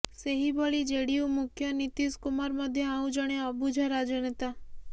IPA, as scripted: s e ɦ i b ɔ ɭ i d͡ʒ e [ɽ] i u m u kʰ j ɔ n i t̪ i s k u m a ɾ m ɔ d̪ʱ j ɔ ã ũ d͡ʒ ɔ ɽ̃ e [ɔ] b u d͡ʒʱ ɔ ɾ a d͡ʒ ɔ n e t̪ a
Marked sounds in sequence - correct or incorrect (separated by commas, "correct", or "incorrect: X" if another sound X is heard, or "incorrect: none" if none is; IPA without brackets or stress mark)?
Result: correct, correct